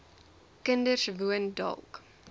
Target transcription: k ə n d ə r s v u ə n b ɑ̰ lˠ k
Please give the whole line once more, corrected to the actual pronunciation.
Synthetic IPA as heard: k ə n d ə r s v u ə n d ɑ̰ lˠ k